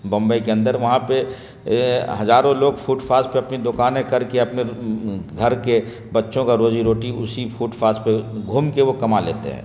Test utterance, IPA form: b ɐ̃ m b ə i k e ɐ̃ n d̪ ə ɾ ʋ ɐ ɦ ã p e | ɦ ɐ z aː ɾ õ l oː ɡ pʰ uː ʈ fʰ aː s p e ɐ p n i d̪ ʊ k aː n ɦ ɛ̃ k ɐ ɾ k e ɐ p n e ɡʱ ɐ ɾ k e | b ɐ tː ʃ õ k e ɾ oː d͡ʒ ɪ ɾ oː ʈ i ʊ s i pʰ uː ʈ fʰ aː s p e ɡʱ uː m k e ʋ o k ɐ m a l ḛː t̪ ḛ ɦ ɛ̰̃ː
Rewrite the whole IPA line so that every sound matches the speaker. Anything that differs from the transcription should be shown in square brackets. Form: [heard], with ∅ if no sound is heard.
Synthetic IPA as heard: b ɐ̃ m b ə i k e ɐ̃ n d̪ ə ɾ ʋ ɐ ɦ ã p e | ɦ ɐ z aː ɾ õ l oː ɡ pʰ uː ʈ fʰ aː s p e ɐ p n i d̪ ʊ k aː n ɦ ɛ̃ k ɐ ɾ k e ɐ p n e ɡʱ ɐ ɾ k e | b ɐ tː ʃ õ k [a] ɾ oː d͡ʒ [i] ɾ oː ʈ i ʊ s i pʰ uː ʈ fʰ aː s p e ɡʱ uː m k e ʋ o k ɐ m a l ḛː t̪ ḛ ɦ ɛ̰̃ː